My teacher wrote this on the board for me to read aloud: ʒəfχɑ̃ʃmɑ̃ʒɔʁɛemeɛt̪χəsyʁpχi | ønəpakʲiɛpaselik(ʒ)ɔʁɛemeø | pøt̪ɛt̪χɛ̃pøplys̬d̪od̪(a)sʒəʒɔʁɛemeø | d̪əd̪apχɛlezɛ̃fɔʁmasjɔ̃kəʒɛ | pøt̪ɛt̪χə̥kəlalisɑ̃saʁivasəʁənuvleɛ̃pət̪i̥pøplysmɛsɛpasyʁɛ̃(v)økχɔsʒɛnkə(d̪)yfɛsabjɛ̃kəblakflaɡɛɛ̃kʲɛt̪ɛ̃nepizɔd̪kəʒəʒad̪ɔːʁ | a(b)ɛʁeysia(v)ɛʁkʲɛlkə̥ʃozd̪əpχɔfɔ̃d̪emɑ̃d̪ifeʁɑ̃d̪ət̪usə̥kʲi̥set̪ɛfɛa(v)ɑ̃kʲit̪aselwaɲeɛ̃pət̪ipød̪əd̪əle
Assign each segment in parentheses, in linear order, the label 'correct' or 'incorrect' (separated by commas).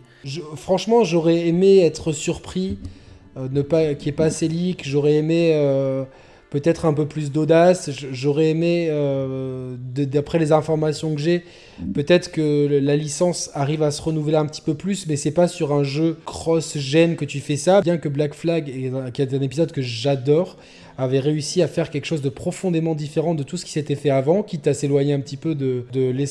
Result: correct, correct, incorrect, incorrect, incorrect, incorrect, correct